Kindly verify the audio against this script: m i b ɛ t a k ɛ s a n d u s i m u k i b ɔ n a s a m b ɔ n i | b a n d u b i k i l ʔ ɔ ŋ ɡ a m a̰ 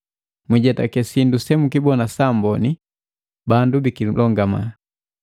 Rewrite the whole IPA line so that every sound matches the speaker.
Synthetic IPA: m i ɟ ɛ t a k ɛ s i n d u s ɛ m u k i b ɔ n a s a m b ɔ n i | b a n d u b i k i l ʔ ɔ ŋ ɡ a m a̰